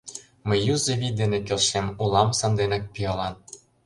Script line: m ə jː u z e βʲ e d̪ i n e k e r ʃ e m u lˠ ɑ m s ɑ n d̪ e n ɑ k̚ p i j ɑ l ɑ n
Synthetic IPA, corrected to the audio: m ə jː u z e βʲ i d̪ e n e k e l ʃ e m u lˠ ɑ m s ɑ n d̪ e n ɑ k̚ p i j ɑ l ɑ n